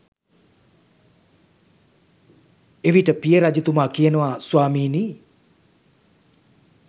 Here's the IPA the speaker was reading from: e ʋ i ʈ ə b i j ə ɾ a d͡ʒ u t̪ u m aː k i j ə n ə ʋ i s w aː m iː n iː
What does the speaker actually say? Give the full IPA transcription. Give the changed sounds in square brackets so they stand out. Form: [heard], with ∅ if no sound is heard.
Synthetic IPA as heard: e ʋ i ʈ ə [p] i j ə ɾ a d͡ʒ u t̪ u m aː k i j ə n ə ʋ [a] s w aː m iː n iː

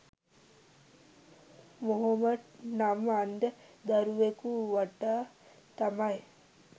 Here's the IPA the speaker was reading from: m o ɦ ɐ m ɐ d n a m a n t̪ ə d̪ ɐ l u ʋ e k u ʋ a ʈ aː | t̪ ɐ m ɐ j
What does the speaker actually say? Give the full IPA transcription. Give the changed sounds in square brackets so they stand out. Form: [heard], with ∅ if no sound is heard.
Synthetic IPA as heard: m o ɦ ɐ m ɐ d n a m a n [d̪] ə d̪ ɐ [ɾ] u ʋ e k u ʋ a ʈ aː | t̪ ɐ m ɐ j

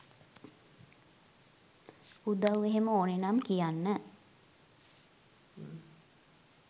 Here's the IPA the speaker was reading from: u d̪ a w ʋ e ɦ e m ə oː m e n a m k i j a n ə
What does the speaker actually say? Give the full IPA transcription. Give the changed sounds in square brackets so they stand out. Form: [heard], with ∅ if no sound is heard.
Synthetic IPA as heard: u d̪ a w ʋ e ɦ e m ə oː [n] e n a m k i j a [nː] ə

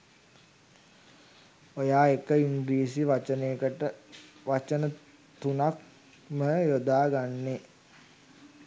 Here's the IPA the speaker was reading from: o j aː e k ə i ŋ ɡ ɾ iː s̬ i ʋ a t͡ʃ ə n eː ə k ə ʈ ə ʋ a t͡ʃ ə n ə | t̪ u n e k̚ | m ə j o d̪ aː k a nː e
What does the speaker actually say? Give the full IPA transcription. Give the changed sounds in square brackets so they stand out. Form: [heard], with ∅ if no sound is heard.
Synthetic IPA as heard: o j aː e k ə i ŋ ɡ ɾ iː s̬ i ʋ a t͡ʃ ə n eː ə k ə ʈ ə ʋ a t͡ʃ ə n ə | t̪ u n [a] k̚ | m ə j o d̪ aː [ɡ] a nː e

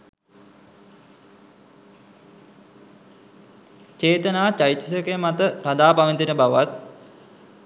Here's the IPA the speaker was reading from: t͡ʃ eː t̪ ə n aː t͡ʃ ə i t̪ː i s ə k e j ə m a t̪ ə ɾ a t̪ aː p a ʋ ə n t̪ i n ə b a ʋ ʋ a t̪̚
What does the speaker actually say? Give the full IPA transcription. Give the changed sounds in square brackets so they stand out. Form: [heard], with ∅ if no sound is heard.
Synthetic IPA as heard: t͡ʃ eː t̪ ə n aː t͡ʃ [a] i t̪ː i s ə k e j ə m a t̪ ə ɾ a [d̪] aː p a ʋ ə n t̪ i n ə b a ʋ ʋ a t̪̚

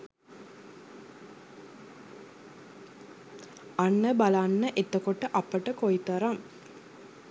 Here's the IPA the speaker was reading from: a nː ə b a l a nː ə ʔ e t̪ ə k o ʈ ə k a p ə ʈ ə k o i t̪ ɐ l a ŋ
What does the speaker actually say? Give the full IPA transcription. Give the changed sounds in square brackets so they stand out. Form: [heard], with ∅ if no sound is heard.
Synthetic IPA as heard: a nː ə b a l a nː ə ʔ e t̪ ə k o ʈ ə [ʔ] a p ə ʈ ə k o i t̪ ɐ [ɾ] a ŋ

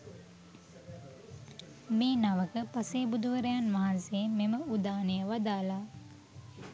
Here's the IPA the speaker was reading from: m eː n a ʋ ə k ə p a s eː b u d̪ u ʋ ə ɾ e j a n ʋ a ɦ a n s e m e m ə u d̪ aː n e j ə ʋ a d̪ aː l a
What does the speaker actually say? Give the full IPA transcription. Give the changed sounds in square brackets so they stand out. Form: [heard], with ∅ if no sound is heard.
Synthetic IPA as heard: m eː n a ʋ ə k ə p a s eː b u d̪ u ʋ ə ɾ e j a n ʋ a ɦ a n s e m e m ə u d̪ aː n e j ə ʋ a d̪ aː l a

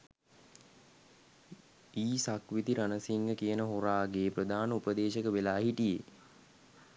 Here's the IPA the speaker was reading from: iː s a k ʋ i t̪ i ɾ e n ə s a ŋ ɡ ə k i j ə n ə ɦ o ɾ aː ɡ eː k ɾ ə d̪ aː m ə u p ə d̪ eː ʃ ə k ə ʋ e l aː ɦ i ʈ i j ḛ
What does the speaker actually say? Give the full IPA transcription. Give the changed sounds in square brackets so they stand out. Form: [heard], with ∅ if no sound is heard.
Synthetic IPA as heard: iː s a k ʋ i t̪ i ɾ [a] n ə s [i] ŋ ɡ ə k i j ə n ə ɦ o ɾ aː ɡ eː [p] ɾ ə d̪ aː [n] ə u p ə d̪ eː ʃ ə k ə ʋ e l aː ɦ i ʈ i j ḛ

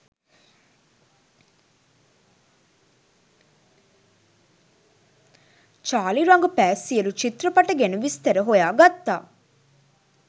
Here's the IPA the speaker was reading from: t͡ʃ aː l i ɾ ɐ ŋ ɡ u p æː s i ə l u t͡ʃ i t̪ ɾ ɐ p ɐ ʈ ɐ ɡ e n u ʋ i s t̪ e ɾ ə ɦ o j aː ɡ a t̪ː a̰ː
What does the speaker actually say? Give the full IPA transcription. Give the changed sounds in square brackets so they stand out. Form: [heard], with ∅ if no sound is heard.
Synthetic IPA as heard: t͡ʃ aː l i ɾ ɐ ŋ ɡ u p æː s i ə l u t͡ʃ i t̪ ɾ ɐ p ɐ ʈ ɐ ɡ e n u ʋ i s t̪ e ɾ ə ɦ o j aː ɡ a t̪ː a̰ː

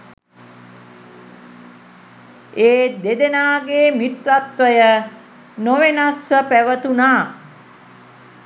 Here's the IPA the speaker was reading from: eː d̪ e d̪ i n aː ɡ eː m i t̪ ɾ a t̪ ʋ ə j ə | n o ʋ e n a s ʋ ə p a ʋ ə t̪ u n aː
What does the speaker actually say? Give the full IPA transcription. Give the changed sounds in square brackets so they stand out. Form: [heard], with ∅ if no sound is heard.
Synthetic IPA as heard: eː d̪ e d̪ [e] n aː ɡ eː m i t̪ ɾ a t̪ ʋ ə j ə | n o ʋ e n a s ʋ ə p [æ] ʋ ə t̪ u n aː

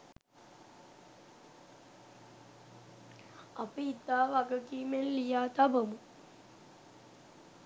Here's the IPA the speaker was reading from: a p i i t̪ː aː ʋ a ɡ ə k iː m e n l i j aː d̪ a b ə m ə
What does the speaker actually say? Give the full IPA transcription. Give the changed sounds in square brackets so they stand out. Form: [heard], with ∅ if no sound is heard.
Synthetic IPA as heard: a p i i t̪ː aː ʋ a ɡ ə k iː m e n l i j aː [t̪] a b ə m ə

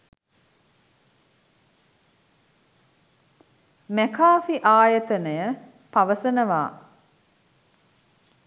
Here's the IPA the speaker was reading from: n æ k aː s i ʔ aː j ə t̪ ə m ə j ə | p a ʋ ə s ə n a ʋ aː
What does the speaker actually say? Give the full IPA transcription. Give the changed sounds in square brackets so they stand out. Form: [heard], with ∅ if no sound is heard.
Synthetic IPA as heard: [m] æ k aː [f] i ʔ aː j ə t̪ ə [n] ə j ə | p a ʋ ə s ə n [ə] ʋ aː

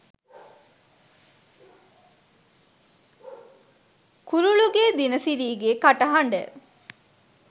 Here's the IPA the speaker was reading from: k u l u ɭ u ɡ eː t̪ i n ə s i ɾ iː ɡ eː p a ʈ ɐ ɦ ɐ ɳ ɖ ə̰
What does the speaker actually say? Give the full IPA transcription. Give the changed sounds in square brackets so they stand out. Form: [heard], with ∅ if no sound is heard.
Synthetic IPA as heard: k u [ɾ] u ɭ u ɡ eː [d̪] i n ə s i ɾ iː ɡ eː [k] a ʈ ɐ ɦ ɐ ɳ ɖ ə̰

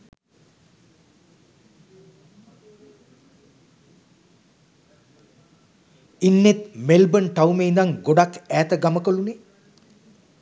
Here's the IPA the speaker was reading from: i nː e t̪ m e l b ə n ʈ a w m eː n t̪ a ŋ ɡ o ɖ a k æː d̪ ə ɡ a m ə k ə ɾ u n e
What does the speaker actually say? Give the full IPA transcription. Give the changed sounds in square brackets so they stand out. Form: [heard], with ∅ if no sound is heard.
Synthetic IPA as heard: i nː e t̪ m e l b ə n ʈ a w m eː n [d̪] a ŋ ɡ o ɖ a k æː [t̪] ə ɡ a m ə k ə [l] u n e

